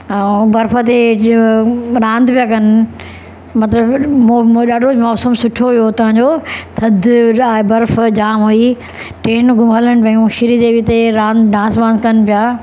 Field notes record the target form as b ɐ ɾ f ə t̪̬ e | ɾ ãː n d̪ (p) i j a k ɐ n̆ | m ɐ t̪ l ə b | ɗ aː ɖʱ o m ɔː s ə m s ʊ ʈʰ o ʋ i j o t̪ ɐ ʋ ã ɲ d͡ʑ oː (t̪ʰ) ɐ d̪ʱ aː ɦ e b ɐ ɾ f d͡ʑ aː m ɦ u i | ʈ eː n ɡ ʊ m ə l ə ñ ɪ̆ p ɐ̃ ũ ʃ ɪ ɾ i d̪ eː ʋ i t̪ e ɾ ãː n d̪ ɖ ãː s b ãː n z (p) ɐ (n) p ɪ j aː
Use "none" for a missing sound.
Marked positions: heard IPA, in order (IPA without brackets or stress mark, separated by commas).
p, t̪ʰ, k, n